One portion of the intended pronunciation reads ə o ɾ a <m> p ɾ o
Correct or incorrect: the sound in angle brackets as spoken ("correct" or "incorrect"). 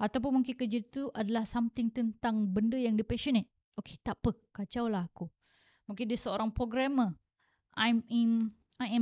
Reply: incorrect